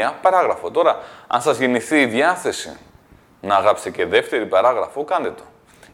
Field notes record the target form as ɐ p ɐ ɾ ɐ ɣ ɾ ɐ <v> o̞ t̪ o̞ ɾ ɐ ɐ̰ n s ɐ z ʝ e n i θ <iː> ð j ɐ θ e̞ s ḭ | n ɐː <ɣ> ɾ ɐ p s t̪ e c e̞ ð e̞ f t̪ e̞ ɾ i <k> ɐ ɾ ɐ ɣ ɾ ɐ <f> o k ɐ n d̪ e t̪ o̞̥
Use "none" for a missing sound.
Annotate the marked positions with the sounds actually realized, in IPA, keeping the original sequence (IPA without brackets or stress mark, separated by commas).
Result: f, iː, ɣ, p, f